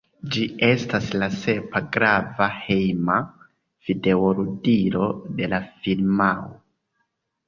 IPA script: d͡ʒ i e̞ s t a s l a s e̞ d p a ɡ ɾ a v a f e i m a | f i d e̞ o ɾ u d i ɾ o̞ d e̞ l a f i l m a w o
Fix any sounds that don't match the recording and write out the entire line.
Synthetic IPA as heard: d͡ʒ i e̞ s t a s l a s e̞ p a ɡ ɾ a v a h e j m a | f i d e̞ o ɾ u d i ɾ o̞ d e̞ l a f i l m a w o